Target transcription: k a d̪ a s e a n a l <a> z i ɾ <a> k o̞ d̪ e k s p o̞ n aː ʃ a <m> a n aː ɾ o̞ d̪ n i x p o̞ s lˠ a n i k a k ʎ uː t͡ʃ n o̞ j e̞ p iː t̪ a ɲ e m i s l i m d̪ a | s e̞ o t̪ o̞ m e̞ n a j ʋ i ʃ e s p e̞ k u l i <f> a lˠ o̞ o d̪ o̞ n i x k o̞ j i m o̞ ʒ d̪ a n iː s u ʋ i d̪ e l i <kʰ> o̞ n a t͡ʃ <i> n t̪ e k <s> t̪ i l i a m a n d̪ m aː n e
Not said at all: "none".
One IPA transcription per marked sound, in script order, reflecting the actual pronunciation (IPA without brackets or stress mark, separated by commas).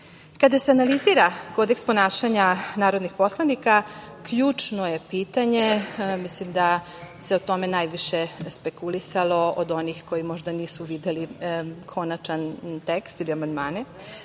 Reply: i, a, ɲ, s, kʰ, a, s